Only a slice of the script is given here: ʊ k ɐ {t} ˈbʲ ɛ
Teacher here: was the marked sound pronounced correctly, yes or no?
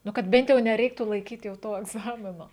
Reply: yes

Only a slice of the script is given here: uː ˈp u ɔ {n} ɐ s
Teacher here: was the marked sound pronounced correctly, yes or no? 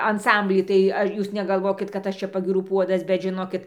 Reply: no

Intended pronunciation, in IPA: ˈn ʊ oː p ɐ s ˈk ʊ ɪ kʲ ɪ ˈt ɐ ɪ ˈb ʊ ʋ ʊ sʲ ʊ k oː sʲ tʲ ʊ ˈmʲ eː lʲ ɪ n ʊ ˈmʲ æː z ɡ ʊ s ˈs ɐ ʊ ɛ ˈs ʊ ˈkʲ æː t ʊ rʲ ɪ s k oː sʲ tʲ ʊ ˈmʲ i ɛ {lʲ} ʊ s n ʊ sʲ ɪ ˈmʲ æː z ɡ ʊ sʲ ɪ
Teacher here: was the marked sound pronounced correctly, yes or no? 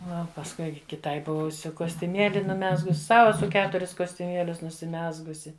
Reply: yes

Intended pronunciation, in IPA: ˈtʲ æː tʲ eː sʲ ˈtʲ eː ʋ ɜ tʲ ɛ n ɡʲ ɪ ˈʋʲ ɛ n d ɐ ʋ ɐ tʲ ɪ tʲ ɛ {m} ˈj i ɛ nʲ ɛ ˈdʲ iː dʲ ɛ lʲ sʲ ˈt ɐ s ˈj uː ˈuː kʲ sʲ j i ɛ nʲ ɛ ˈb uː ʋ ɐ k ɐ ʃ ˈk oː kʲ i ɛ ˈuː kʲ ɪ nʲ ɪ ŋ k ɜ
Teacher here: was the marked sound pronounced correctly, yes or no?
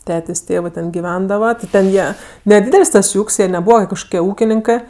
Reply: no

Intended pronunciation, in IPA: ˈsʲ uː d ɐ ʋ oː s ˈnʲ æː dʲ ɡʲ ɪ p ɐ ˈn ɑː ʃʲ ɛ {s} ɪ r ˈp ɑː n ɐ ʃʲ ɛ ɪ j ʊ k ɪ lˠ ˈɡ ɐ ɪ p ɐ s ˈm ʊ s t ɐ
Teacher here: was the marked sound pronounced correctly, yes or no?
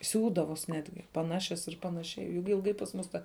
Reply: yes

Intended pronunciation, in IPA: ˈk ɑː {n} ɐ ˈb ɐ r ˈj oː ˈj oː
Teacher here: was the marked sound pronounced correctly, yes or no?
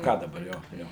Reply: no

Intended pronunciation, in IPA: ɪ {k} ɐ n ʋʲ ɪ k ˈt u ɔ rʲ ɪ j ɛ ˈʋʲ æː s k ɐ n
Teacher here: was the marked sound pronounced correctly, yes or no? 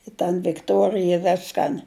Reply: no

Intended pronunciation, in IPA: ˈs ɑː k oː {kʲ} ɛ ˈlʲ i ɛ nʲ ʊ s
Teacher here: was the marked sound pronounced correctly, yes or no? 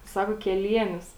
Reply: yes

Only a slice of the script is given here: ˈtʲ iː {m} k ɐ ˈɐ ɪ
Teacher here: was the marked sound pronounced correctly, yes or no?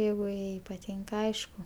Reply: no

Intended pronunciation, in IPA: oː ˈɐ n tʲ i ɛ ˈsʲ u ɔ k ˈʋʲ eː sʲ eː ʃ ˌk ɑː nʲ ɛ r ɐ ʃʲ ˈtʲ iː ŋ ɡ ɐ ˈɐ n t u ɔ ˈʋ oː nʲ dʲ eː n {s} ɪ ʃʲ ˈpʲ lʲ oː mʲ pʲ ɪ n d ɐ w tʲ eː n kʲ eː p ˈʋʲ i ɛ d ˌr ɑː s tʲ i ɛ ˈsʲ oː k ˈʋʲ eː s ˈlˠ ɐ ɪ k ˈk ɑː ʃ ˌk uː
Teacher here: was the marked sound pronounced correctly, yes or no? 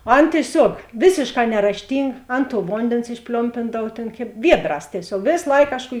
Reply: yes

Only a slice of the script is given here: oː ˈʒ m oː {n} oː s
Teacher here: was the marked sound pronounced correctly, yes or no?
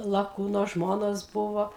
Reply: yes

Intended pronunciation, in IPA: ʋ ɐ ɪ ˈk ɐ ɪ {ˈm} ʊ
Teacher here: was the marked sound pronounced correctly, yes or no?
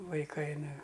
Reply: no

